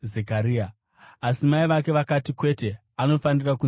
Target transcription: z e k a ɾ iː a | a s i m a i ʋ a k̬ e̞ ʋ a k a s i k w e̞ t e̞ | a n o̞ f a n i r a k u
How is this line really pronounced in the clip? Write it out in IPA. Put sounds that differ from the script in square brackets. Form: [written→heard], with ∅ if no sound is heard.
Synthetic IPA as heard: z e k a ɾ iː a | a s i m a i ʋ a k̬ e̞ ʋ a k a [s→t] i k w e̞ t e̞ | a n o̞ f a n i r a k u